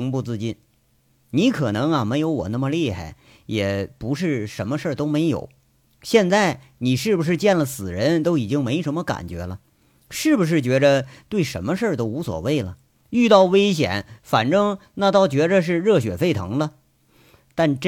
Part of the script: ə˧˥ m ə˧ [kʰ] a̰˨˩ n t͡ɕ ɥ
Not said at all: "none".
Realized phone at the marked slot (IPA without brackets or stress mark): k